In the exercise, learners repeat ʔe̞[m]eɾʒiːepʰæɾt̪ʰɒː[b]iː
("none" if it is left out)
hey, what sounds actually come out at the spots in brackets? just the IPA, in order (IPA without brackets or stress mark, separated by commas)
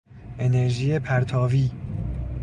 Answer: n, v